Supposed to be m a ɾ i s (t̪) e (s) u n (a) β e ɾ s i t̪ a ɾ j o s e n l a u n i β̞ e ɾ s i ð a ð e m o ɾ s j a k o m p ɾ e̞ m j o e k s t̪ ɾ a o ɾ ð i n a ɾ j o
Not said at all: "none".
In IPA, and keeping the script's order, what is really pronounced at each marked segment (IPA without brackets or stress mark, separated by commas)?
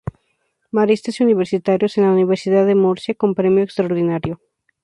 t̪, s, i